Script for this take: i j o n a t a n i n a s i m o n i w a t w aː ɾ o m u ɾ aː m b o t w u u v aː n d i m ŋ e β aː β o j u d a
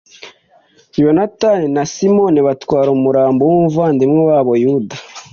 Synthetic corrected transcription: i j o n a t a n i n a s i m o n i β a t w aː ɾ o m u ɾ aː m b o w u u v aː n d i m ŋ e w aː β o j u d a